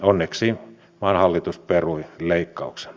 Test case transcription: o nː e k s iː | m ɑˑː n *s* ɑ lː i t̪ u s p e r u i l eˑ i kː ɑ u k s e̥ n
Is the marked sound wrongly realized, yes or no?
yes